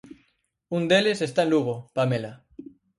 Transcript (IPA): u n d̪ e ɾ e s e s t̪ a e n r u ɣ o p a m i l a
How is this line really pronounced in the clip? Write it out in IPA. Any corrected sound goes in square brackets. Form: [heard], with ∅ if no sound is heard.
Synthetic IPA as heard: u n d̪ e [l] e s e s t̪ a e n [l] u ɣ o p a m [e] l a